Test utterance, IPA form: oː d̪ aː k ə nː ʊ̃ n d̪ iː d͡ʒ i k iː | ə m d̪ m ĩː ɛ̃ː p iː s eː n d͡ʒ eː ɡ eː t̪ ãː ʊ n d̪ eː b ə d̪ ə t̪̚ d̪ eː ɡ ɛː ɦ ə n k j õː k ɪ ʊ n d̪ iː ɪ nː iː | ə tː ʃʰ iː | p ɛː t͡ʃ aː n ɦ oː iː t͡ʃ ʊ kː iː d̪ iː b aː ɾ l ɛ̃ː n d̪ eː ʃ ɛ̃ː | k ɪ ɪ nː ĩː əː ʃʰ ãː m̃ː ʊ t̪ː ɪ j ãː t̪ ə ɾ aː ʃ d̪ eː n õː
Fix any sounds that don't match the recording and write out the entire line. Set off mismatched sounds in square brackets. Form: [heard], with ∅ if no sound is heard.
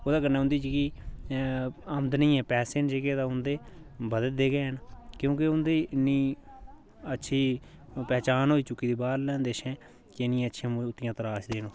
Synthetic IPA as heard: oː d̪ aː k ə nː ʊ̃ n d̪ iː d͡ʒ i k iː | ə m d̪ [n] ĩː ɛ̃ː p [ɛː] s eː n d͡ʒ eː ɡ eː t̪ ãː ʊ n d̪ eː b ə d̪ ə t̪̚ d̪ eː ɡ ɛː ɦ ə n k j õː k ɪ ʊ n d̪ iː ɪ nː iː | ə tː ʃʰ iː | p ɛː t͡ʃ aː n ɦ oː iː t͡ʃ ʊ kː iː d̪ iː b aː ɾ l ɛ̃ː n d̪ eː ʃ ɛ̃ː | k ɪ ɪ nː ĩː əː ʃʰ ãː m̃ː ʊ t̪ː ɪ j ãː t̪ ə ɾ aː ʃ d̪ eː n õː